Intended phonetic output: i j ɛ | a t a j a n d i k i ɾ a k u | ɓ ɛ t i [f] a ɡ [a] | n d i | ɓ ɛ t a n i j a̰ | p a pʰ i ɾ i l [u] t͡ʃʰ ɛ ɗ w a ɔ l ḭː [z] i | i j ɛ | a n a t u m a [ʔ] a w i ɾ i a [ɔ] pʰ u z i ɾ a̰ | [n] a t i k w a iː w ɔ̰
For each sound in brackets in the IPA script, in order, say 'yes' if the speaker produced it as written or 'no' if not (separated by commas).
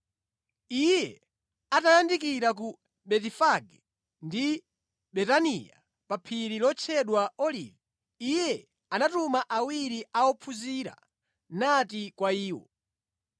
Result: yes, no, no, no, yes, yes, yes